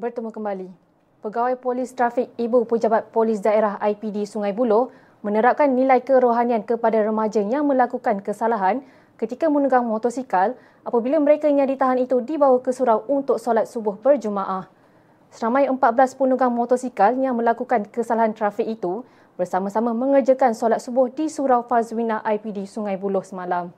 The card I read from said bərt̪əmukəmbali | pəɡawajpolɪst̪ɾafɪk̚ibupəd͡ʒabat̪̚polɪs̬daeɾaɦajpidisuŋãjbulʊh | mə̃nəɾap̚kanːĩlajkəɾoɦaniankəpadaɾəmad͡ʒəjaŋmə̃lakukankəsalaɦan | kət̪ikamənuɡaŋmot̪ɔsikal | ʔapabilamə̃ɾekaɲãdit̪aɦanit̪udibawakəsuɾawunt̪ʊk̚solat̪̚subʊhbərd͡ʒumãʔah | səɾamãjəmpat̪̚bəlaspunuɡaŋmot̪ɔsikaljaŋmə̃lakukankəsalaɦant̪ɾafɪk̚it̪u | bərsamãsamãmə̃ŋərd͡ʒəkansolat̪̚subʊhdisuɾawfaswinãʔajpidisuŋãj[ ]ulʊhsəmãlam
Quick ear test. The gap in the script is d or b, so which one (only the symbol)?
b